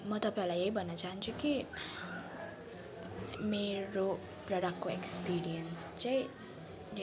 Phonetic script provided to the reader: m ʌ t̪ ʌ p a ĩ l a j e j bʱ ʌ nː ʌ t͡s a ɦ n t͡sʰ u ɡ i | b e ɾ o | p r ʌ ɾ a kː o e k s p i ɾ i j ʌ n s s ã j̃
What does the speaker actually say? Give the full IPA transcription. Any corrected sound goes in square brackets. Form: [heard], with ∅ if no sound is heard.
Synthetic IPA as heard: m ʌ t̪ ʌ p a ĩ l a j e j bʱ ʌ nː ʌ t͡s a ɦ n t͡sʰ u [k] i | [m] e ɾ o | p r ʌ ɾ a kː o e k s p i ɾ i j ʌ n s [t͡s] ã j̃